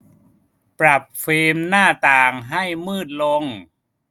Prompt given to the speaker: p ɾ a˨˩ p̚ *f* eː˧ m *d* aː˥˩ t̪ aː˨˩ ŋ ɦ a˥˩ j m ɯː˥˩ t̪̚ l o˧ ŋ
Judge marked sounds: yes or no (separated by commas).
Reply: yes, no